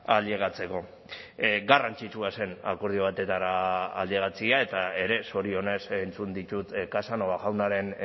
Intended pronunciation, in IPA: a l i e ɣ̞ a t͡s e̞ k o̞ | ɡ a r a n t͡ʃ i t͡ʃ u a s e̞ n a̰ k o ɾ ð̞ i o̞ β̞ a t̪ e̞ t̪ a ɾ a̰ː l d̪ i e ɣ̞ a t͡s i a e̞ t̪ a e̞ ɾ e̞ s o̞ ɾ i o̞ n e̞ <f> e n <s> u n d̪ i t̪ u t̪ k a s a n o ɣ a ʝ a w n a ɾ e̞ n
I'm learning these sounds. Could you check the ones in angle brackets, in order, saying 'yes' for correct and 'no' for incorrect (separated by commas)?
no, no